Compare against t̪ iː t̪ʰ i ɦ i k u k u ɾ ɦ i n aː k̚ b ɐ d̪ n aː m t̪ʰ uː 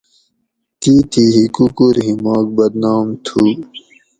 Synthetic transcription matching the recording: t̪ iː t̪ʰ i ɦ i k u k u ɾ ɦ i m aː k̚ b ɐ d̪ n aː m t̪ʰ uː